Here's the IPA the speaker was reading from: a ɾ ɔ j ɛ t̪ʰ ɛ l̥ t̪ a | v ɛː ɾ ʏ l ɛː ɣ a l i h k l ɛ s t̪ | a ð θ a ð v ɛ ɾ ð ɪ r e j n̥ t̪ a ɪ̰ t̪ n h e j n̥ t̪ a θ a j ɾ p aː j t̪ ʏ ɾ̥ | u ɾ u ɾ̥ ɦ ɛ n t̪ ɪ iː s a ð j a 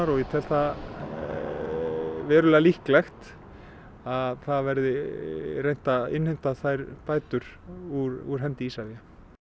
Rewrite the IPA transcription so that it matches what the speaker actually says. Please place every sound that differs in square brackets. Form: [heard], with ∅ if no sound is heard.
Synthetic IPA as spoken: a ɾ ɔ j ɛ t̪ʰ ɛ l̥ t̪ a | v ɛː ɾ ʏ l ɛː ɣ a l i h k l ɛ [x] t̪ | a ð θ a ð v ɛ ɾ ð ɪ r e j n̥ t̪ a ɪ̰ [∅] n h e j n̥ t̪ a θ a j ɾ p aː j t̪ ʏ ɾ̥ | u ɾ u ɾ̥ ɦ ɛ n t̪ ɪ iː s a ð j a